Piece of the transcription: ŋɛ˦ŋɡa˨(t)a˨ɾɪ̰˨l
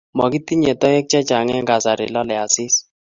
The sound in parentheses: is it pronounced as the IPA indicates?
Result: no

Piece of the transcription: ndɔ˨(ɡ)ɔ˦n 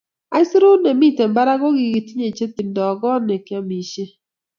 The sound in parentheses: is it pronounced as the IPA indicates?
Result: yes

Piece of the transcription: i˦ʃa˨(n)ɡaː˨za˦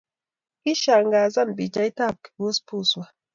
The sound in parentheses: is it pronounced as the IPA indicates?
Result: no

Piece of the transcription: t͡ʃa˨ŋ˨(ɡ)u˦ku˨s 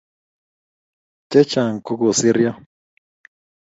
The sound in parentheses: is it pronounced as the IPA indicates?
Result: no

